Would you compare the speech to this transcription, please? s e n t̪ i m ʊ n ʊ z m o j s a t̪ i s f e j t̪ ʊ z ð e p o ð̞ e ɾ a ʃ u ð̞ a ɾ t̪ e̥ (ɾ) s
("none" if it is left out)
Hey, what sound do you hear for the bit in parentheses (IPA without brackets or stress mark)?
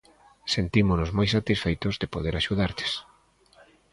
none